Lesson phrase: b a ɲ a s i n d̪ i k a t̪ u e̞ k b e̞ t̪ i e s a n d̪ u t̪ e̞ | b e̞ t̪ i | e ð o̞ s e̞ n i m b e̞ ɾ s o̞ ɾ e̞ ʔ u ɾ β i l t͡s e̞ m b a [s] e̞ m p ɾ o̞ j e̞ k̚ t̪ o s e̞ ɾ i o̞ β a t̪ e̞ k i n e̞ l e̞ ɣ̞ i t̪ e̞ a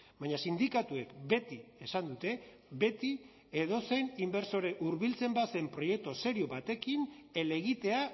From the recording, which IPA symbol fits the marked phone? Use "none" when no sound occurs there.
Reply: s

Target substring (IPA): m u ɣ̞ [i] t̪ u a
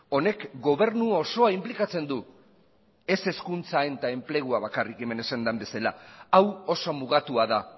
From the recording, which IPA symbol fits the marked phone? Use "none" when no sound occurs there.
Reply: a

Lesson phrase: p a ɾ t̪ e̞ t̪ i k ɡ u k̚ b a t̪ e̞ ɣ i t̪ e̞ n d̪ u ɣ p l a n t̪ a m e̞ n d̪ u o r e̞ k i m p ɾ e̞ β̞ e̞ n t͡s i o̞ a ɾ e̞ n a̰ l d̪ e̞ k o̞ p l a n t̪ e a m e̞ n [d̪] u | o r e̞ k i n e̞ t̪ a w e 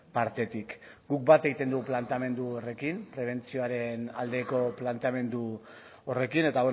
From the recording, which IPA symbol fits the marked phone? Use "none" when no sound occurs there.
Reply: d̪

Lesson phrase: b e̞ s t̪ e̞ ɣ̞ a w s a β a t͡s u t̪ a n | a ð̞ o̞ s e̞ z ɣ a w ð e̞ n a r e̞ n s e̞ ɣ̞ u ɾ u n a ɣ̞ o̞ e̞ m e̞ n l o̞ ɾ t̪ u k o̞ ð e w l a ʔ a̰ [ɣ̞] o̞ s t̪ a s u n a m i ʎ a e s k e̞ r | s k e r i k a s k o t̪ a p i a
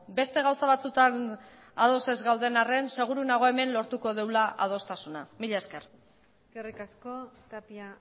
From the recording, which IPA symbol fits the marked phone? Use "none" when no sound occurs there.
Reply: ð̞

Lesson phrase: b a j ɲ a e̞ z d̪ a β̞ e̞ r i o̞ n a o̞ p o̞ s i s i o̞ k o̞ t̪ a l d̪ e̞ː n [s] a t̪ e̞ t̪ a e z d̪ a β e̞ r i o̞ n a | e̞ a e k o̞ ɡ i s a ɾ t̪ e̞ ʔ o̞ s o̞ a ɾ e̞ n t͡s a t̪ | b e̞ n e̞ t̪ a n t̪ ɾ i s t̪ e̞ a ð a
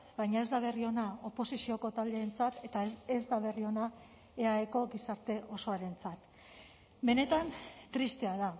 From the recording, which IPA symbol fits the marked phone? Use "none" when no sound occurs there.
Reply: t͡s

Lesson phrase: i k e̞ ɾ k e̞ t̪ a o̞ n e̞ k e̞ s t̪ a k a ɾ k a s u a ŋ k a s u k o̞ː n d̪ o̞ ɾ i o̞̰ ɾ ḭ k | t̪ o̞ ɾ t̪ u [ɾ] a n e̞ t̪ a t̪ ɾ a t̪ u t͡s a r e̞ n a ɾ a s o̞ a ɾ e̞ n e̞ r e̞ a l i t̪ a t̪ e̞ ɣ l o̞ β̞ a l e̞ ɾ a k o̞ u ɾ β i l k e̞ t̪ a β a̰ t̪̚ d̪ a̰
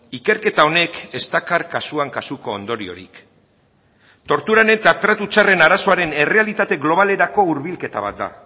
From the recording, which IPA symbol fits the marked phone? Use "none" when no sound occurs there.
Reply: ɾ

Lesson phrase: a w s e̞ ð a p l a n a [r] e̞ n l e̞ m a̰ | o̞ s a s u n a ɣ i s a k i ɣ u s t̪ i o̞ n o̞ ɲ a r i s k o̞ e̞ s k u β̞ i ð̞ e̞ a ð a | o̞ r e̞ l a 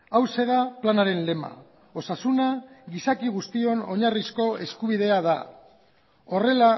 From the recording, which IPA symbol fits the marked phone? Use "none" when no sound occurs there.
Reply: ɾ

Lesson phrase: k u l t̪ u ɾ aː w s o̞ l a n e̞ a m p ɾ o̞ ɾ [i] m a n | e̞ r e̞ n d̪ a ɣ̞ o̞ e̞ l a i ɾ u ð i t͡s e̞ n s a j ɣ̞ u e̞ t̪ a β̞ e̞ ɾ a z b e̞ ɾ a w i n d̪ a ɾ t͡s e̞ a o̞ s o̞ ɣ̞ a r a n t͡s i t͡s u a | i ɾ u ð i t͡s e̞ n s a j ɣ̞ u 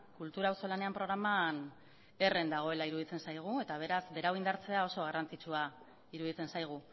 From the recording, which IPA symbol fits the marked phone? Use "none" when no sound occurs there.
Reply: a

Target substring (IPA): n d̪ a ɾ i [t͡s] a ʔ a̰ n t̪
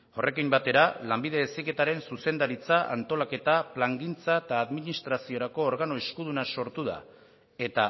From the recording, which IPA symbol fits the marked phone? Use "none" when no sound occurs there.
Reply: t͡s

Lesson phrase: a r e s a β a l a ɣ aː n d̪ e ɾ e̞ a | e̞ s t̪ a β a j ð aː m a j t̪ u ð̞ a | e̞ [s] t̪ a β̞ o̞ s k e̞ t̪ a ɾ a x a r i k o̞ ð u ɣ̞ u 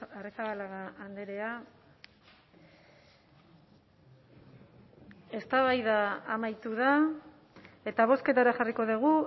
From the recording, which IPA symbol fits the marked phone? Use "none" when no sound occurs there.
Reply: none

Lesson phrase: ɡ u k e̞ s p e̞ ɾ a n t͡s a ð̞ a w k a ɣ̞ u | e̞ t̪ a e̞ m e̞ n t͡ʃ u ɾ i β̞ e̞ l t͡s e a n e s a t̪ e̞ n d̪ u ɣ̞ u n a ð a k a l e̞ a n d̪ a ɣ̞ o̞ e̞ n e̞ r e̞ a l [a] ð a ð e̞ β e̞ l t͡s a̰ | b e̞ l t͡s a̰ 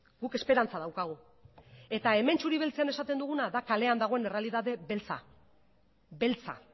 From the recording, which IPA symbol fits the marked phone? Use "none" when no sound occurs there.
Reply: i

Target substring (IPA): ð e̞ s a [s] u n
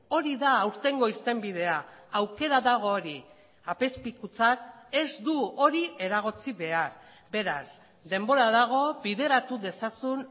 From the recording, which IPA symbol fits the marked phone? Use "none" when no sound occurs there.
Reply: s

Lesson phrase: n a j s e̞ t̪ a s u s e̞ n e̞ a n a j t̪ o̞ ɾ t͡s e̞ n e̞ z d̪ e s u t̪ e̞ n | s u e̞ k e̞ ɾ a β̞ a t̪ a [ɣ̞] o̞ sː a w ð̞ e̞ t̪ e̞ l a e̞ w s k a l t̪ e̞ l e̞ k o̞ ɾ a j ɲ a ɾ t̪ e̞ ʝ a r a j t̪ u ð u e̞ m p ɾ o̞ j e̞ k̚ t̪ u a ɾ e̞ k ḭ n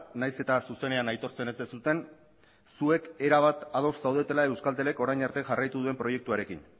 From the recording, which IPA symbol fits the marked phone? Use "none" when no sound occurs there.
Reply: ð̞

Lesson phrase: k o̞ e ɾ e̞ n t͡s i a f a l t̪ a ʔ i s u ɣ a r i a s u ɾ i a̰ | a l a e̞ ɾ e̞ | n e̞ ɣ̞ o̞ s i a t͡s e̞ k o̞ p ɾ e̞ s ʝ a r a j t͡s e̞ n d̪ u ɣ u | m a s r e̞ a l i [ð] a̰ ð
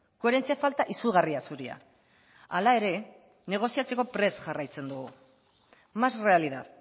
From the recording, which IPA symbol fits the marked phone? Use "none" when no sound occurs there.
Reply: ð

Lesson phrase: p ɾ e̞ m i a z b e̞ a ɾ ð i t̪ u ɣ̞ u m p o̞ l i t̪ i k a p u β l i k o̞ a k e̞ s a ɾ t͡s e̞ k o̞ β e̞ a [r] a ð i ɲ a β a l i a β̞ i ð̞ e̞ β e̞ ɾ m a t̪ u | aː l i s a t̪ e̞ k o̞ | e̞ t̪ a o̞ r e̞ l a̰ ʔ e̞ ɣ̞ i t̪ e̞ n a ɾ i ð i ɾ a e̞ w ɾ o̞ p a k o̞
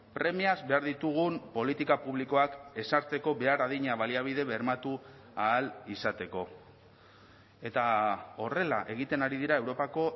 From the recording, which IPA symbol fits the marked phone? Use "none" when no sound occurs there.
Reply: ɾ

